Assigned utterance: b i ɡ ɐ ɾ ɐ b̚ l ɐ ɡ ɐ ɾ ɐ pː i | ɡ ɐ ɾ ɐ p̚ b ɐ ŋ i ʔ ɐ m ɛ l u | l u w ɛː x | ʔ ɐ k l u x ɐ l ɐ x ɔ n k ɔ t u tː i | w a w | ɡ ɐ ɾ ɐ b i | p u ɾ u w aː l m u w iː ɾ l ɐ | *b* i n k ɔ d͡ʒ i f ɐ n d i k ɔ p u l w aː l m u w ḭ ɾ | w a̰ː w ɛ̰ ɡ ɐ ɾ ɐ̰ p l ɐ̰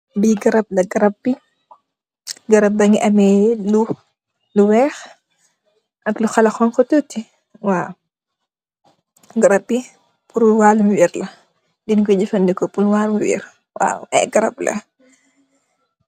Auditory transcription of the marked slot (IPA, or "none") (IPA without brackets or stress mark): d